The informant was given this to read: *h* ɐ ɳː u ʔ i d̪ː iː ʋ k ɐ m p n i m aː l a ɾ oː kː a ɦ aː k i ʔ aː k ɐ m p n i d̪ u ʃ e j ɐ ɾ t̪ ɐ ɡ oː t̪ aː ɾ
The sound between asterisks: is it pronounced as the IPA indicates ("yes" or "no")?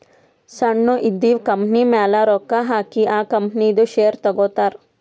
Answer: no